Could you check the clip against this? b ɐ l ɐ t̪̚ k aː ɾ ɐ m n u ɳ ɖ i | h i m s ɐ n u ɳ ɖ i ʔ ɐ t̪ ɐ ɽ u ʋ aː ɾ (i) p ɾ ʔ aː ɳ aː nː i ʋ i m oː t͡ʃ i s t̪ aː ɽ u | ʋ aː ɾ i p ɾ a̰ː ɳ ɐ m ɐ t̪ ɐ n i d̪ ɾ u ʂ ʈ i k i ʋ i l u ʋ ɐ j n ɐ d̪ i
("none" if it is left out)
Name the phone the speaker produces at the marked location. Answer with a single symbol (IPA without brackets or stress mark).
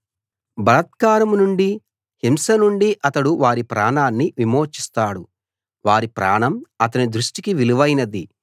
i